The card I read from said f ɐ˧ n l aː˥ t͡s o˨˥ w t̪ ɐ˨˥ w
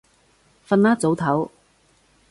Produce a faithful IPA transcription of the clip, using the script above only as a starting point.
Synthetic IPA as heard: f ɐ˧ n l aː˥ t͡s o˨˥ w t̪ʰ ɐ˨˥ w